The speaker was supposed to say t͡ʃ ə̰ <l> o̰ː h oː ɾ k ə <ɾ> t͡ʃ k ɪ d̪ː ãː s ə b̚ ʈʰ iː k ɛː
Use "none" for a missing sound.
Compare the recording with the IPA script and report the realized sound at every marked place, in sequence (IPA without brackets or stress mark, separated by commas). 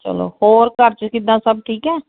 l, ɾ